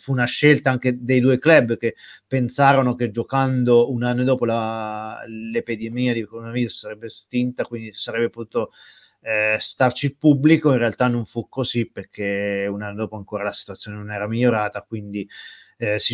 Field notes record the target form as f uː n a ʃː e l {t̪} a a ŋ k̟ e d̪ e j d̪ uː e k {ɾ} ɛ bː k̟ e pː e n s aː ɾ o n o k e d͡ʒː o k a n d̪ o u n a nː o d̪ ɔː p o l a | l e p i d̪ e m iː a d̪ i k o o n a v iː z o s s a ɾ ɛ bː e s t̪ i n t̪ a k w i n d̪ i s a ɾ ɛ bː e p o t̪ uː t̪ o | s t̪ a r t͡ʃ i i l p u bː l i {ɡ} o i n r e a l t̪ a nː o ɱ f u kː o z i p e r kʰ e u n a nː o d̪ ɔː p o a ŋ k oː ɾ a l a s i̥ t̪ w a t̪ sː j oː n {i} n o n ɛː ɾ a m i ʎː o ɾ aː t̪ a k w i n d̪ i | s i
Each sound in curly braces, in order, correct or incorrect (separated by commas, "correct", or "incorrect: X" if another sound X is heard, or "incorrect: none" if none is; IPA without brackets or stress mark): correct, incorrect: l, incorrect: k, incorrect: e